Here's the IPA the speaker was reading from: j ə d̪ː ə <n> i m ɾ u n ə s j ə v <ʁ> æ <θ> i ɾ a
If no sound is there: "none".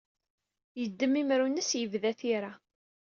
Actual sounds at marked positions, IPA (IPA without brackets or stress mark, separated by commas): m, ð, θ